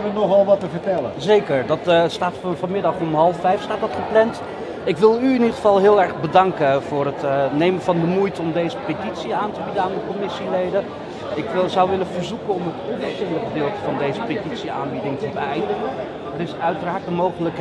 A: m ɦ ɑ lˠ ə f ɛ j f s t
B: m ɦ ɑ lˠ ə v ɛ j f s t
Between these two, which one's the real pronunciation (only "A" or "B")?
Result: A